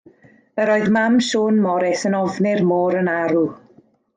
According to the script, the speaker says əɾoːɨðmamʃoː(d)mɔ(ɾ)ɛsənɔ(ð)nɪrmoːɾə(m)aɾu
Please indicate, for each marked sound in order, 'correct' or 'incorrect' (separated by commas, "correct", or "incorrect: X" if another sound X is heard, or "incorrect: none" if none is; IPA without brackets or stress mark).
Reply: incorrect: n, correct, incorrect: v, incorrect: n